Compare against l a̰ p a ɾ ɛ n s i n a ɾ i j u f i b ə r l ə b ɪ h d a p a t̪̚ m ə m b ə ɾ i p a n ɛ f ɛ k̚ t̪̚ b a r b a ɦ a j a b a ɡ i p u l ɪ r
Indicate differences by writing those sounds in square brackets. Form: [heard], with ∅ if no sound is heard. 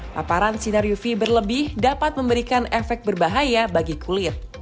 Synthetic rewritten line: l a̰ p a ɾ [a] n s i n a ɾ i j u f i b ə r l ə b ɪ h d a p a t̪̚ m ə m b ə ɾ i [k] a n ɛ f ɛ k̚ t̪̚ b [ə] r b a ɦ a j a b a ɡ i [k] u l ɪ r